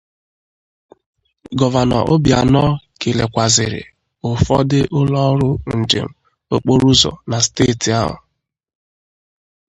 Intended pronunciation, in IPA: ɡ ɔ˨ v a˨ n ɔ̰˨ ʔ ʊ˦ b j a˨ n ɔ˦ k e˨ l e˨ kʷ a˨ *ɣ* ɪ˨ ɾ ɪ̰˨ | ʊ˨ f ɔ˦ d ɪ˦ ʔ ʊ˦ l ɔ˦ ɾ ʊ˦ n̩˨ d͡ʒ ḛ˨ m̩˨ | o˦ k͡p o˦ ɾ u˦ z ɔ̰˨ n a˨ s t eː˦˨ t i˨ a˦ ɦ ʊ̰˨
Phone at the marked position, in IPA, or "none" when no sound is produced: z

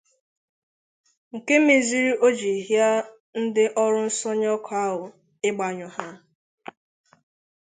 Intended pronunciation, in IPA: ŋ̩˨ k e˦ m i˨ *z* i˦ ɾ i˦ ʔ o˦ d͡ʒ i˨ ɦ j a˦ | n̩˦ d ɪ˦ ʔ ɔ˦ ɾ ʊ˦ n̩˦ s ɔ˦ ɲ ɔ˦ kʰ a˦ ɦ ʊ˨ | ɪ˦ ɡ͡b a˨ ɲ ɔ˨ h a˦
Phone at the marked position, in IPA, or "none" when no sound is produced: z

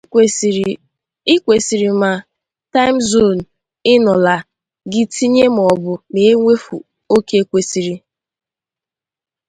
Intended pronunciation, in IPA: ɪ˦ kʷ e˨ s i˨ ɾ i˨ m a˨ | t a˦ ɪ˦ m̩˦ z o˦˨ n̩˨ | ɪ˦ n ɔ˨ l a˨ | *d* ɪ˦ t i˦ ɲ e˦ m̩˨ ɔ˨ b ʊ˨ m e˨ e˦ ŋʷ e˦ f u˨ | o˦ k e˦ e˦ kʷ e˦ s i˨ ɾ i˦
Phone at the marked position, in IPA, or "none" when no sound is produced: ɡ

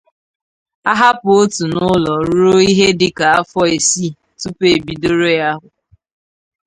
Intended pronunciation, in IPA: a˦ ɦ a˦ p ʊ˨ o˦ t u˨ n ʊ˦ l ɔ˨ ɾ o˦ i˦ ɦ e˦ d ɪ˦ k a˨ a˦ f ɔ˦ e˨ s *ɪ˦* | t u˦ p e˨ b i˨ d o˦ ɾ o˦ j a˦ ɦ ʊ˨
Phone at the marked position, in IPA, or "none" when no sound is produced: i˦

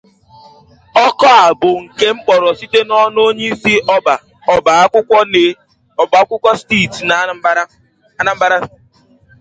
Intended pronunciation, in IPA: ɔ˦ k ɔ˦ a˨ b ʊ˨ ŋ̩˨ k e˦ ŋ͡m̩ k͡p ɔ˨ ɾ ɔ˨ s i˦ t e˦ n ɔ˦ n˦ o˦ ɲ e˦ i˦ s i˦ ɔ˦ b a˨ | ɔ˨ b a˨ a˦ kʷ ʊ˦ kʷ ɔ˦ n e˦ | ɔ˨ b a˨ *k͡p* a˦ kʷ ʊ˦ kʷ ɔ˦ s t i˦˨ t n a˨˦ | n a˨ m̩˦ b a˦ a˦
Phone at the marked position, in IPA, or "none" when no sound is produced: none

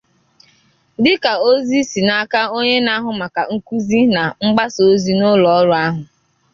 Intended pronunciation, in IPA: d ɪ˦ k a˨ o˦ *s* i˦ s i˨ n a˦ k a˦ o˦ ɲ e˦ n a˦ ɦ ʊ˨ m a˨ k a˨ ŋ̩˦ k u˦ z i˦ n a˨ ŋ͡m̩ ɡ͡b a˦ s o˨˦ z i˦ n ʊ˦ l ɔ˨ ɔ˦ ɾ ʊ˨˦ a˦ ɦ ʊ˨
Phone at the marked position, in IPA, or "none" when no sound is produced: z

